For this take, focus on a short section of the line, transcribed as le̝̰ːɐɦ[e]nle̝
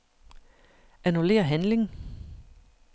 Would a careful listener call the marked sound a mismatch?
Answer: yes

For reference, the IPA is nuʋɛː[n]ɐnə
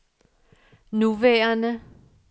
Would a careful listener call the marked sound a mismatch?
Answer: yes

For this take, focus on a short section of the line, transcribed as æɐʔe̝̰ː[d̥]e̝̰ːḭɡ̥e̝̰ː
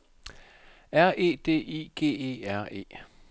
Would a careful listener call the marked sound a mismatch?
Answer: no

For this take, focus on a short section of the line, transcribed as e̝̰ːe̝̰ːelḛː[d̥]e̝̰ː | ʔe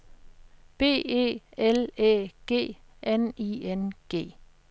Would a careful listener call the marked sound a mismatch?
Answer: yes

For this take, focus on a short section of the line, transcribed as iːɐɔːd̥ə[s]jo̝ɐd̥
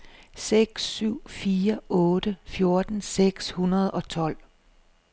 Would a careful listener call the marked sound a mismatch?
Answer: yes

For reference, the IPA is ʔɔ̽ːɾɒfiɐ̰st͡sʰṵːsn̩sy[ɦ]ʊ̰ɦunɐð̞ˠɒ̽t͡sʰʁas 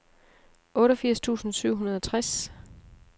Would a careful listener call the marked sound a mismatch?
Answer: yes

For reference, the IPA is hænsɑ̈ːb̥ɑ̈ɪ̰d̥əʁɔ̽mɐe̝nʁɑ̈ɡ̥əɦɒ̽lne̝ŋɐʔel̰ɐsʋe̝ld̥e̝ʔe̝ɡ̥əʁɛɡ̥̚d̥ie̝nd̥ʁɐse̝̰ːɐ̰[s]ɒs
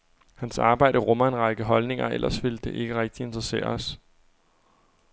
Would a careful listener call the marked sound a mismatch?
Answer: yes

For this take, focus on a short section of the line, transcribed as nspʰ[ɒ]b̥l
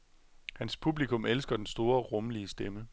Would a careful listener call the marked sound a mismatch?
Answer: yes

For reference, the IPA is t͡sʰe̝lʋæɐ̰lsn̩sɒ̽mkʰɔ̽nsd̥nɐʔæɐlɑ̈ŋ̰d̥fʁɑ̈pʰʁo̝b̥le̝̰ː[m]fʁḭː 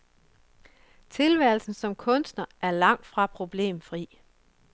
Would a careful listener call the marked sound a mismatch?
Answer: no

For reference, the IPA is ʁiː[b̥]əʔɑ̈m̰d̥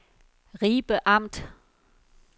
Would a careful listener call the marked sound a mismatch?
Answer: no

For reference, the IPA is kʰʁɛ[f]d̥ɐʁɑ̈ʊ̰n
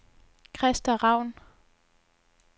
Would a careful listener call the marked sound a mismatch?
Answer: yes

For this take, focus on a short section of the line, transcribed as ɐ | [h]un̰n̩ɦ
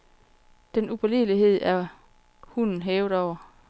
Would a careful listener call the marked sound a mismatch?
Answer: no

